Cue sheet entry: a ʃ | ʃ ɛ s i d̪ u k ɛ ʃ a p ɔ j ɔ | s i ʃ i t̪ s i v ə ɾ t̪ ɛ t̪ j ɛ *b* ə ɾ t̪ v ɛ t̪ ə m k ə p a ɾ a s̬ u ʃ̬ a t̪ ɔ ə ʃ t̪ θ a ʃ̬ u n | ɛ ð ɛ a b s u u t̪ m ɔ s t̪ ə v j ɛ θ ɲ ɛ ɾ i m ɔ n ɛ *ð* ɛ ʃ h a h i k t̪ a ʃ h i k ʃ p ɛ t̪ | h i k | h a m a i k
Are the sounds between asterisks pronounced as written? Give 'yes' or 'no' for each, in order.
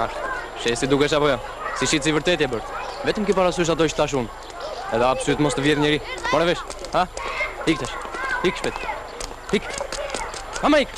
yes, no

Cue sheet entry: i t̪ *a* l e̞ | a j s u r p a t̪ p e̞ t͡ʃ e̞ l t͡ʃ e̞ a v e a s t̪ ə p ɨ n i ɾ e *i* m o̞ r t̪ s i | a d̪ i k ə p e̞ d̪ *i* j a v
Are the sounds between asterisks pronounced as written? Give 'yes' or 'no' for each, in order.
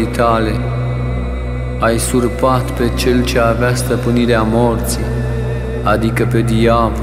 yes, no, yes

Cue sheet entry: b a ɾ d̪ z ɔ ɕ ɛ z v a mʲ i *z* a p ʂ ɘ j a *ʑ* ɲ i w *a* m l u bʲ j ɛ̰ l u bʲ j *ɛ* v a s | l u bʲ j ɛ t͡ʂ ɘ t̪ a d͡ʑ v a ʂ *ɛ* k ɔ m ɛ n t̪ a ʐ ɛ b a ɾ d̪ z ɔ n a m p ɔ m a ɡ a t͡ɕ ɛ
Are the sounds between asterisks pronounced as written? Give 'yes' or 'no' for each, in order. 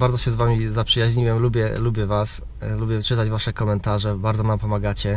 yes, yes, no, yes, yes

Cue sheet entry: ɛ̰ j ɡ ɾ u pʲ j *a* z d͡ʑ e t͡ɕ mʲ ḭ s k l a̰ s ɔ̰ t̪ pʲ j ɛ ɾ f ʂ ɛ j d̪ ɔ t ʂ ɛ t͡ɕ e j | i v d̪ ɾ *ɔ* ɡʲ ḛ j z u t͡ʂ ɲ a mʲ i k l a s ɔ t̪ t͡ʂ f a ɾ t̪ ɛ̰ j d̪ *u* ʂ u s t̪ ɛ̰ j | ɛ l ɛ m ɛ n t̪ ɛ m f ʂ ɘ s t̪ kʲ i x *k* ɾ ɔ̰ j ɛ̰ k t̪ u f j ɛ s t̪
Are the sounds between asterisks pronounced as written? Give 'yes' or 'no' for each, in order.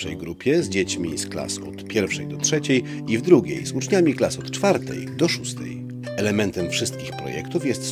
no, no, no, no

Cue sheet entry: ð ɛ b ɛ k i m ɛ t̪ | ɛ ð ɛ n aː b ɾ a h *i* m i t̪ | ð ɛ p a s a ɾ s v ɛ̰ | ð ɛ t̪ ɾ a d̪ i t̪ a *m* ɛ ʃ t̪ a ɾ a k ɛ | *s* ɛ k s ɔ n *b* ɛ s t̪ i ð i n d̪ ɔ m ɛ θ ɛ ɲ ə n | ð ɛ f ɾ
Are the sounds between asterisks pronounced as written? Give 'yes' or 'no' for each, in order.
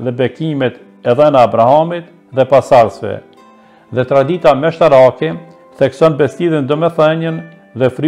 no, yes, no, yes

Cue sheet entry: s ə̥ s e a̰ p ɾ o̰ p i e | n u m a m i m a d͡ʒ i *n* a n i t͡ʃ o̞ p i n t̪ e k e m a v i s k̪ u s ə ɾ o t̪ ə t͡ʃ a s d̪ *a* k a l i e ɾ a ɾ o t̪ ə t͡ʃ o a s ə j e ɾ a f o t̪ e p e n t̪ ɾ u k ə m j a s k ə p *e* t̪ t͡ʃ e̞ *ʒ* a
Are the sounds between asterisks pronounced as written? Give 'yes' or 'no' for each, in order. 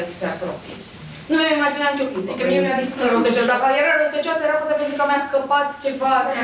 yes, yes, no, no

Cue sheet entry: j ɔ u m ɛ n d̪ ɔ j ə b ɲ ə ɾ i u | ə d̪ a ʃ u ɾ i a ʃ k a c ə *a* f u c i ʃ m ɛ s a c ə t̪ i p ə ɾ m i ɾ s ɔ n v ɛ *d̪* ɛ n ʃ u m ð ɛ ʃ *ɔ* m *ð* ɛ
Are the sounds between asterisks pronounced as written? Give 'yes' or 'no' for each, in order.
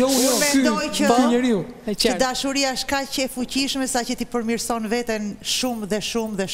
no, no, no, yes

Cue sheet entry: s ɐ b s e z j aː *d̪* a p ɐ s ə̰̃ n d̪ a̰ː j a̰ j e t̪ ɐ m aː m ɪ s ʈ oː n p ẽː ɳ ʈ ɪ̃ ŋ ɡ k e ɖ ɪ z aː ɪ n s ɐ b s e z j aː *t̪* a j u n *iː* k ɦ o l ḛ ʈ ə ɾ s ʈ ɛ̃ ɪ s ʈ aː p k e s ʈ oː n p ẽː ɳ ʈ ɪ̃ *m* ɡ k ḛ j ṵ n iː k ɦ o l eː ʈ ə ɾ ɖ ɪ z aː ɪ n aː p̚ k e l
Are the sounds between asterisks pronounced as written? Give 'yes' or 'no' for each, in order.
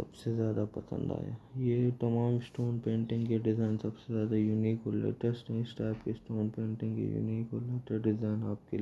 yes, no, yes, no

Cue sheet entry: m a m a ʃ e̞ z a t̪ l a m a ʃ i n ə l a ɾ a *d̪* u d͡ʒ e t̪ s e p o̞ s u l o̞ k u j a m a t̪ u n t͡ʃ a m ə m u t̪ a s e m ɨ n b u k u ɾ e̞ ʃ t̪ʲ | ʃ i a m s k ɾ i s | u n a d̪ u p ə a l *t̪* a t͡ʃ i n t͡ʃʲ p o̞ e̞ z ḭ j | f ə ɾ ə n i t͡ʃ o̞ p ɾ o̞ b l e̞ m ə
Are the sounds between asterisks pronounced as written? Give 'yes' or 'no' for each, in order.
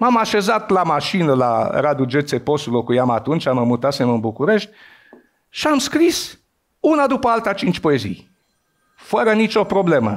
yes, yes

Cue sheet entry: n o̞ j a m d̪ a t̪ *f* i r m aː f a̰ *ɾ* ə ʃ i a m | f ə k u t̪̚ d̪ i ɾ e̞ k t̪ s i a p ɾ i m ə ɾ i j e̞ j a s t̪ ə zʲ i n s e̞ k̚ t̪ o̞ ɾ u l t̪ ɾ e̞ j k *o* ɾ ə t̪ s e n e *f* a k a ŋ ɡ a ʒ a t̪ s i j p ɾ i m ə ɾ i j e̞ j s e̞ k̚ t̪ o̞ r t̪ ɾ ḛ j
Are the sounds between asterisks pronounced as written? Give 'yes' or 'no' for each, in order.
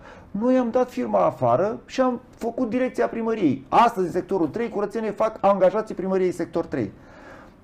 yes, yes, no, yes

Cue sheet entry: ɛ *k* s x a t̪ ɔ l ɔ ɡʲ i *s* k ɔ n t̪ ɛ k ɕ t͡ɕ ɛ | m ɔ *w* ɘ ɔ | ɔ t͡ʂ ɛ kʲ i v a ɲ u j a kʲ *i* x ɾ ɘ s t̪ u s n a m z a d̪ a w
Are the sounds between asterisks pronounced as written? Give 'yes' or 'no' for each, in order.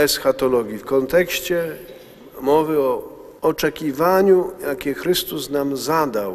no, no, no, no

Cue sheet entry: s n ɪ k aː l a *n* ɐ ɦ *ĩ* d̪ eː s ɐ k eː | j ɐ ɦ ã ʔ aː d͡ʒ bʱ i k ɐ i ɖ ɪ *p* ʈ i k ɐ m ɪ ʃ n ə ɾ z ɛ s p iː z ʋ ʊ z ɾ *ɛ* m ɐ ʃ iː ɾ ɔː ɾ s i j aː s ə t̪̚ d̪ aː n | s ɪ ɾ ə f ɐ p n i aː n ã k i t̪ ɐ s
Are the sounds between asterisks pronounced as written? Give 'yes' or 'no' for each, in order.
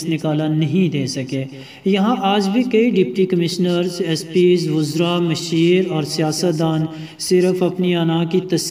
yes, yes, yes, no

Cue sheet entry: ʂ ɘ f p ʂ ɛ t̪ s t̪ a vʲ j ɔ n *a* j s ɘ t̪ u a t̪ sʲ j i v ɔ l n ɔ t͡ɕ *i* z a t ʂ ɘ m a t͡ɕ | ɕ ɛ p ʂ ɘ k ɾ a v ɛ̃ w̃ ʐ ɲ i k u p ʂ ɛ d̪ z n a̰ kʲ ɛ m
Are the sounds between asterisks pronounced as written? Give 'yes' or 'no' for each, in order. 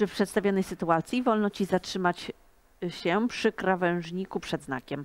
no, yes

